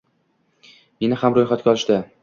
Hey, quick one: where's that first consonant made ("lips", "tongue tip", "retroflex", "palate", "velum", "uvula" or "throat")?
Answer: lips